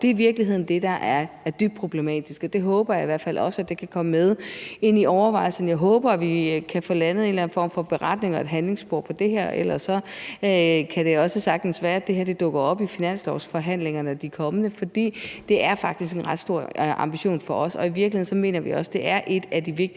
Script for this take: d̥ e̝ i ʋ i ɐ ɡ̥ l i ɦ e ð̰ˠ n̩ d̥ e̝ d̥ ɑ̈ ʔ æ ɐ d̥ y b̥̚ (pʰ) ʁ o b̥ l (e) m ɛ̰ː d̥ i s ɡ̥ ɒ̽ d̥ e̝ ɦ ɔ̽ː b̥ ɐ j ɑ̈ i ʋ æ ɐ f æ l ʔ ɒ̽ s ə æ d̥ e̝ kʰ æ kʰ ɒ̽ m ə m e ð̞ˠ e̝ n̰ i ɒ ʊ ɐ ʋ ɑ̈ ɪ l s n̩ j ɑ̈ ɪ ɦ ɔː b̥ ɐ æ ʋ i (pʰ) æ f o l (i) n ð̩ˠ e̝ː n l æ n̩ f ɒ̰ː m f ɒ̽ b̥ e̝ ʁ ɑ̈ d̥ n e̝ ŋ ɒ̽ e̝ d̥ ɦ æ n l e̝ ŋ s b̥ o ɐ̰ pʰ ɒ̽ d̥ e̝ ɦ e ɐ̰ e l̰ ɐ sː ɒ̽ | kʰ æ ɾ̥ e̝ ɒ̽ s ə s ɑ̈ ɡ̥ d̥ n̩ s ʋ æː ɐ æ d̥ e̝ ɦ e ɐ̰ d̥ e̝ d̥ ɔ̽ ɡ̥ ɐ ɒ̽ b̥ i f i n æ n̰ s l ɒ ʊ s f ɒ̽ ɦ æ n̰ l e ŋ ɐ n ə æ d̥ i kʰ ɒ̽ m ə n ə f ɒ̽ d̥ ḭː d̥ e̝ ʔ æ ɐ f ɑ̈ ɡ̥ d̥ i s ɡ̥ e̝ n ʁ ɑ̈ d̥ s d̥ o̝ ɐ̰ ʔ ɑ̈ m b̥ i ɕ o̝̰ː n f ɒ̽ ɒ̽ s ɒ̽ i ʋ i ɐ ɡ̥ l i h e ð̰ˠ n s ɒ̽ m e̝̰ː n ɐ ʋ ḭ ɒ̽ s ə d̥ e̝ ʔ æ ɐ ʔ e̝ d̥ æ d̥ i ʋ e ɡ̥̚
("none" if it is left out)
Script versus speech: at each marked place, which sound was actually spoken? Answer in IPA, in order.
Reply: pʰ, e, kʰ, æ

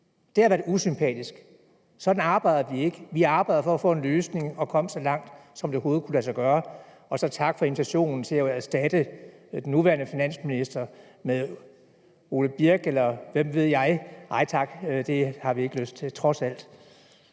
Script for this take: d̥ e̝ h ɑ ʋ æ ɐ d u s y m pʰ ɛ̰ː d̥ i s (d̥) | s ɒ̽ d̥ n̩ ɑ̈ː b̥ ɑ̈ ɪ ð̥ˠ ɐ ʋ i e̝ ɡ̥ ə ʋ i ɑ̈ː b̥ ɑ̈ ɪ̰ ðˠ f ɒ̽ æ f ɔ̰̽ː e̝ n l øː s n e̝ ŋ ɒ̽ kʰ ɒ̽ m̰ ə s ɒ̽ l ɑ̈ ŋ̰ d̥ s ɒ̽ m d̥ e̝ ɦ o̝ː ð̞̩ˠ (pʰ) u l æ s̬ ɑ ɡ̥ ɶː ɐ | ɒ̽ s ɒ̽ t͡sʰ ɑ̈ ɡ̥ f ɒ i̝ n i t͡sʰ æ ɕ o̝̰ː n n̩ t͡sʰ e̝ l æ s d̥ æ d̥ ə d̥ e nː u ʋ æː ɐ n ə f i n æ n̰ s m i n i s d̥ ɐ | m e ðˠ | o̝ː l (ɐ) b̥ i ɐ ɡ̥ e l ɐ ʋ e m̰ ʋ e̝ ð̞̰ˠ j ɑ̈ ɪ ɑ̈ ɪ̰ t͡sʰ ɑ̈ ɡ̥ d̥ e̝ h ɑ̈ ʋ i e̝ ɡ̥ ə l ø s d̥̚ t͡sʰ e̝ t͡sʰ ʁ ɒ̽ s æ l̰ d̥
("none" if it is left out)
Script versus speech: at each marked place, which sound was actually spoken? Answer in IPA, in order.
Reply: ɡ̥, kʰ, ə

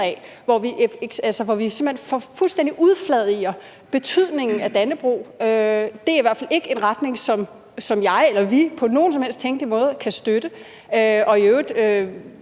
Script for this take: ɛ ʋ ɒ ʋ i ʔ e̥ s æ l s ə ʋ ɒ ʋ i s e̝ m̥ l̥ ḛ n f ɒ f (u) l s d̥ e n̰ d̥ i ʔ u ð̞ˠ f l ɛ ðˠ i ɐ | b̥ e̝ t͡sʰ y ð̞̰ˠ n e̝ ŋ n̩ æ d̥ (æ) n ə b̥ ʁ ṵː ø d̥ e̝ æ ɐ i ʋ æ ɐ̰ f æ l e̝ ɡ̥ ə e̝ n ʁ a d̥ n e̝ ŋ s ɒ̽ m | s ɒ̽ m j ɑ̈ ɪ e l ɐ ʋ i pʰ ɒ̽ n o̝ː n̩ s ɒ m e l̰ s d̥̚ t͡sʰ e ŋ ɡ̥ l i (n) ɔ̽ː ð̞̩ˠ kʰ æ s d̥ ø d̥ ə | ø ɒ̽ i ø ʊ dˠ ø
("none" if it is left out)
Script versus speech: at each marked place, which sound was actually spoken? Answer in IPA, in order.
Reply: u, æ, m

